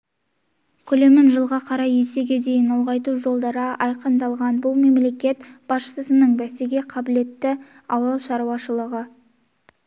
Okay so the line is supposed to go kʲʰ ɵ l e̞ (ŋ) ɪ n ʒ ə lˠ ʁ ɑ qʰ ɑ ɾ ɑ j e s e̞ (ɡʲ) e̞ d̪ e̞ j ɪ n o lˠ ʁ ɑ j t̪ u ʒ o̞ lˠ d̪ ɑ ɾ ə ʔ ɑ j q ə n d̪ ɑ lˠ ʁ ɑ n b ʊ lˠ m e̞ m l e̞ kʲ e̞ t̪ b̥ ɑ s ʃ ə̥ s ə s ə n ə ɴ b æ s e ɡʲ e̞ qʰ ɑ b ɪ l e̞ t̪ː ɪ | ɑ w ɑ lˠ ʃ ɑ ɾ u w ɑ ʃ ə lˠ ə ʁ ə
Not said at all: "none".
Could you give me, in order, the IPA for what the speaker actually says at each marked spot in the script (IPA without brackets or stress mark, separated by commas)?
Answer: m, ɡʲ